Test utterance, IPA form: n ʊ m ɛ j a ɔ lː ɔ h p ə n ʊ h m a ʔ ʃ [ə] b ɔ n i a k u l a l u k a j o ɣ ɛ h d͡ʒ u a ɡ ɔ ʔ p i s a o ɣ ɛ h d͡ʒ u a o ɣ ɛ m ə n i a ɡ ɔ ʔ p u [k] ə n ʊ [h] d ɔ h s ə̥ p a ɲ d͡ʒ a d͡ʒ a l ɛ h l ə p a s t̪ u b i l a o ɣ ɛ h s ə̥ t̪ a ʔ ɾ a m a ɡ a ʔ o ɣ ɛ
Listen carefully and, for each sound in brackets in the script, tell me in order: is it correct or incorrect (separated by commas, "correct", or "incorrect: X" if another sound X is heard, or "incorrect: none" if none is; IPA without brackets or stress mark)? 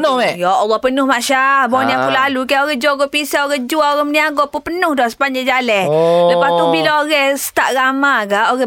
incorrect: a, incorrect: p, correct